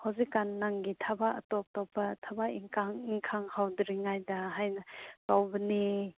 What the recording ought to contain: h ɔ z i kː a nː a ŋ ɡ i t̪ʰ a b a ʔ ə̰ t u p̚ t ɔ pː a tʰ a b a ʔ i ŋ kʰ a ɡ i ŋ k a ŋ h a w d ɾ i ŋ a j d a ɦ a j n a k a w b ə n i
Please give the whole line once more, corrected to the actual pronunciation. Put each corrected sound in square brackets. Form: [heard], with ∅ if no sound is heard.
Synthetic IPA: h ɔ z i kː a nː a ŋ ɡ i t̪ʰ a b a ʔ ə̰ t [ɔ] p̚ t ɔ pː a tʰ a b a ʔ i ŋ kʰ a [ŋ] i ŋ [kʰ] a ŋ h a w d ɾ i ŋ a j d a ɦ a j n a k a w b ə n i